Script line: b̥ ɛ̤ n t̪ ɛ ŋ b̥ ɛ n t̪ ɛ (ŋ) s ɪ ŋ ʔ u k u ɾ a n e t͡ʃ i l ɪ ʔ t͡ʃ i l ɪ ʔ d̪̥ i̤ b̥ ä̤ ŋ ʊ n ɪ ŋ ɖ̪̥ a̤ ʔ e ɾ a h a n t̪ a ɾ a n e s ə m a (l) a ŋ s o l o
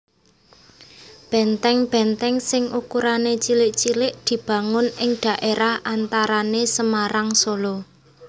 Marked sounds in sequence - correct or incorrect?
correct, incorrect: ɾ

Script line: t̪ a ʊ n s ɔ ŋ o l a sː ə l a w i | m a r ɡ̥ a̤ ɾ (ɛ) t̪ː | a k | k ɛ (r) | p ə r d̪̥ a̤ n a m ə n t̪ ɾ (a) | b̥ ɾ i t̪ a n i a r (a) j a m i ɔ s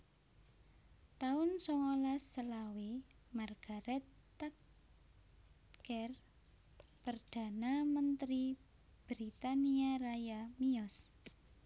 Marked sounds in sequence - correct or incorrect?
correct, correct, incorrect: i, correct

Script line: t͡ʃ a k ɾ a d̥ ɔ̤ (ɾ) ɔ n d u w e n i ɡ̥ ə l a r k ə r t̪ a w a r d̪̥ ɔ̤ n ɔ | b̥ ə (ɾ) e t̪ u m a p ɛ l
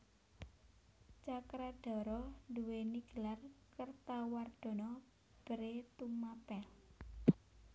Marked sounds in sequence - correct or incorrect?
correct, correct

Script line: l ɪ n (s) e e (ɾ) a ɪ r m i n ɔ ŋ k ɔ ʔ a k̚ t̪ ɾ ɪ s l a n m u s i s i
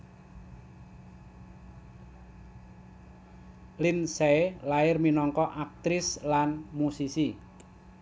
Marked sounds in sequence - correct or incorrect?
correct, incorrect: l

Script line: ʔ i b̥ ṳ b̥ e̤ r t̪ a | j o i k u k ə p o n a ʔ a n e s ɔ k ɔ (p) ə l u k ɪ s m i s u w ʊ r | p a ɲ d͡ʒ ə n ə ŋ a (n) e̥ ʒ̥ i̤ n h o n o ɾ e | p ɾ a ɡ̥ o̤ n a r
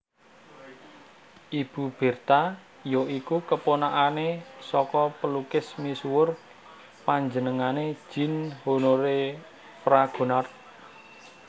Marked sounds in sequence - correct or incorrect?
correct, correct

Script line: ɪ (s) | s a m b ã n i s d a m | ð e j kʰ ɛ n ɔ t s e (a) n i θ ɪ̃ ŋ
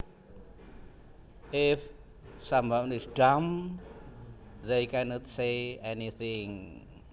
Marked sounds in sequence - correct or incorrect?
incorrect: f, incorrect: ɛ

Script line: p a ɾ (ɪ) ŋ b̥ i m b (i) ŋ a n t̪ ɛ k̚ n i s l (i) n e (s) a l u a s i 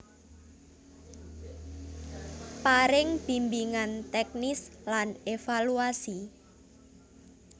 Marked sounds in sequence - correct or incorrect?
correct, correct, incorrect: a, incorrect: f

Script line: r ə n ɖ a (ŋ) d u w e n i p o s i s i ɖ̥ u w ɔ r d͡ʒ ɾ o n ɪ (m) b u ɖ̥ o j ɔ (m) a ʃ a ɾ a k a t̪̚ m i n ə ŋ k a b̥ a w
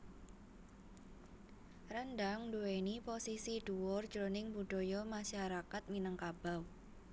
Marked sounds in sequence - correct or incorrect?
correct, incorrect: ŋ, correct

